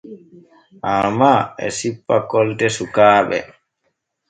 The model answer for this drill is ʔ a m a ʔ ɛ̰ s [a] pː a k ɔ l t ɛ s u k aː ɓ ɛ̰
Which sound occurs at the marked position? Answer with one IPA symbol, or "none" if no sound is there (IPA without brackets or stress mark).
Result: i